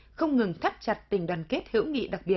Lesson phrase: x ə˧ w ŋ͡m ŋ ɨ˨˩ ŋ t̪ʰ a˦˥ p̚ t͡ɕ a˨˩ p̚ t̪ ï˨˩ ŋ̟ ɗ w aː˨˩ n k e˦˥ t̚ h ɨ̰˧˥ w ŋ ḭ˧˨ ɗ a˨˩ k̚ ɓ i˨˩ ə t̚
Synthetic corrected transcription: x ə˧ w ŋ͡m ŋ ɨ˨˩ ŋ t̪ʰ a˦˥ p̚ t͡ɕ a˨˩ t̚ t̪ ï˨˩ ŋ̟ ɗ w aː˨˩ n k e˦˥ t̚ h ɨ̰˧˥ w ŋ ḭ˧˨ ɗ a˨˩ k̚ ɓ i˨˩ ə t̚